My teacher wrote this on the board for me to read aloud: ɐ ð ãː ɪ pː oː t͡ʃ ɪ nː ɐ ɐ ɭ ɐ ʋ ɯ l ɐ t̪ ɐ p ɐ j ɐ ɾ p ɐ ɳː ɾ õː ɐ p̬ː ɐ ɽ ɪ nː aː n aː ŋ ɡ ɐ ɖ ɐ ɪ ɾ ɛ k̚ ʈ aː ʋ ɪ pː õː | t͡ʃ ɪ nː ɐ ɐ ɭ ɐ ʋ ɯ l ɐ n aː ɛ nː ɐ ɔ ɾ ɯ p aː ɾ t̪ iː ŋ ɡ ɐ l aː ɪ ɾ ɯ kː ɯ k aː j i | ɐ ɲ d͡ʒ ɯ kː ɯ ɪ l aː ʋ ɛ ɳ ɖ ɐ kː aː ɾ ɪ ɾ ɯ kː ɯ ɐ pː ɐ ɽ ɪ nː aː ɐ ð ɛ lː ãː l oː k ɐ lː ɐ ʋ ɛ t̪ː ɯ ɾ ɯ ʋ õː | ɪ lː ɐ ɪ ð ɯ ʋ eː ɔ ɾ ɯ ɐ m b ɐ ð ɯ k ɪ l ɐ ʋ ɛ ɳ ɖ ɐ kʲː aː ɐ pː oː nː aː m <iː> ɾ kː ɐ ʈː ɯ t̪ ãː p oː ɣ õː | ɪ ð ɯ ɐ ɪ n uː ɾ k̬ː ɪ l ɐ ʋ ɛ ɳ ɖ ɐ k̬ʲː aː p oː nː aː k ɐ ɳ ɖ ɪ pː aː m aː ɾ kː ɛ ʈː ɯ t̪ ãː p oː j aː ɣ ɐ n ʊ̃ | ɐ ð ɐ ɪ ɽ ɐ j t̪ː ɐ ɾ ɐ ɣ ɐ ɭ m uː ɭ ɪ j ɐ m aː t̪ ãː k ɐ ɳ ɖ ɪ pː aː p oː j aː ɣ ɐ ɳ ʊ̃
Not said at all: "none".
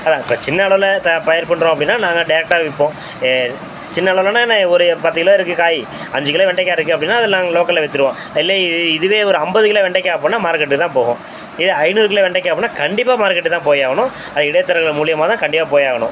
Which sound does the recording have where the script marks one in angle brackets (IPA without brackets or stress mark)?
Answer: aː